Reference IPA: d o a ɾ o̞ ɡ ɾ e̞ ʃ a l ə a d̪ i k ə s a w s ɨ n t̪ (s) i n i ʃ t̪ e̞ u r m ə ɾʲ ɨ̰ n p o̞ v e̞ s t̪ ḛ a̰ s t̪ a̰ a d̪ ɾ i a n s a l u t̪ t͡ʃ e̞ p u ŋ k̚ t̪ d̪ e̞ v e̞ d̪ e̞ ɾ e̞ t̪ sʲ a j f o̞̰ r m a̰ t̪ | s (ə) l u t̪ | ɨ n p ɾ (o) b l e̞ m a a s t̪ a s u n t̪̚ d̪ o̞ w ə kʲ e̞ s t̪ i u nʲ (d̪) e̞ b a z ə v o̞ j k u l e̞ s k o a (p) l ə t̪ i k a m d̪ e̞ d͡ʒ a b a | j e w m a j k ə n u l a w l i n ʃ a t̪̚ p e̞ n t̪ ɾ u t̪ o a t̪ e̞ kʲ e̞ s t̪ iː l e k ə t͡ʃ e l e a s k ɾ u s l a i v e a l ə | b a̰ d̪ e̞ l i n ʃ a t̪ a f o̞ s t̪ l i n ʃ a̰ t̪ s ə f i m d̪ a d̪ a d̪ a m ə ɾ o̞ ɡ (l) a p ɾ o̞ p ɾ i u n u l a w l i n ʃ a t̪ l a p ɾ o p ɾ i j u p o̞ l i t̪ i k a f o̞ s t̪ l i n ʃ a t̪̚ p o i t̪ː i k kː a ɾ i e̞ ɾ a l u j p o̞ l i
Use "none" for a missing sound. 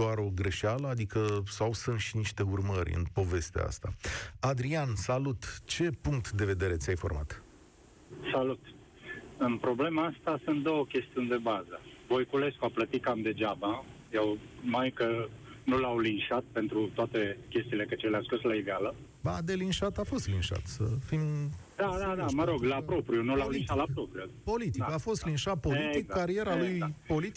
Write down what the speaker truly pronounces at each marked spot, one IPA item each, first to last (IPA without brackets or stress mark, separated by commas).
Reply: ʃ, a, o, d̪, p, l